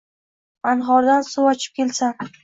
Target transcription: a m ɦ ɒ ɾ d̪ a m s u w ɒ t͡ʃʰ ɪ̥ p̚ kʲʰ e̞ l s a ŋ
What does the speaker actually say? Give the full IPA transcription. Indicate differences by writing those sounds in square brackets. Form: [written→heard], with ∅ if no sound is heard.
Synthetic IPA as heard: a [m→n] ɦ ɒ ɾ d̪ a [m→n] s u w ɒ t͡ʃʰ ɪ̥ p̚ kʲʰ e̞ l s a [ŋ→n]